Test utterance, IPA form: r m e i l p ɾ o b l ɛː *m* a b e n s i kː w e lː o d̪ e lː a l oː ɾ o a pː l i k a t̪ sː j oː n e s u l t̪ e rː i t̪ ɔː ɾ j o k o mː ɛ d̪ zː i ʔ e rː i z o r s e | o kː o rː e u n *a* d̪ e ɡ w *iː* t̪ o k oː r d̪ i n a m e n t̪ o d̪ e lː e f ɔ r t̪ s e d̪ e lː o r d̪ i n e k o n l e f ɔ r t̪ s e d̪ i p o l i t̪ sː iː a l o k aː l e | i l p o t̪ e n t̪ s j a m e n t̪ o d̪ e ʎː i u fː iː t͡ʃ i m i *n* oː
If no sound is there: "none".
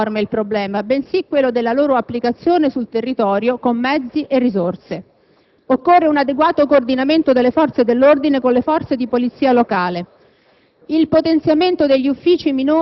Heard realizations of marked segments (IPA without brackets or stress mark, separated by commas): m, a, aː, n